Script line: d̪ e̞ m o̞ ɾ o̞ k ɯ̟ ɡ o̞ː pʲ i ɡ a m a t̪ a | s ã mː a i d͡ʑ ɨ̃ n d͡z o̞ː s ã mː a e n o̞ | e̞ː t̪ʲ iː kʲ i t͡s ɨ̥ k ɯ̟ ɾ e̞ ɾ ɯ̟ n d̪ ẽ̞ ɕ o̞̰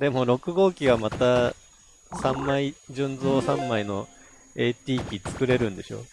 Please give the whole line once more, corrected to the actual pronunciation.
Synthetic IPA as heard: d̪ e̞ m o̞ ɾ o̞ k ɯ̟ ɡ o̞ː kʲ i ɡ a m a t̪ a | s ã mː a i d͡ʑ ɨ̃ n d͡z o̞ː s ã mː a i n o̞ | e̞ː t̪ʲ iː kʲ i t͡s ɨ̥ k ɯ̟ ɾ e̞ ɾ ɯ̟̃ n d̪ e̞ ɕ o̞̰